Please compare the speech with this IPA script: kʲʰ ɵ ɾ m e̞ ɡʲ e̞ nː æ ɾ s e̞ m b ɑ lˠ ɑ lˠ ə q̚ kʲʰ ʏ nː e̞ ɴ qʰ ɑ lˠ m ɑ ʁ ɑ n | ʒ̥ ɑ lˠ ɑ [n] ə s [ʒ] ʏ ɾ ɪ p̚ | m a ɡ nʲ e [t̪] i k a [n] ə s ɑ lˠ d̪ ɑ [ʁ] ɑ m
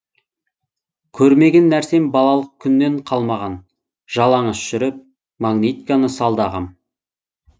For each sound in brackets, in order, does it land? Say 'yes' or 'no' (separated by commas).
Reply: no, no, yes, yes, yes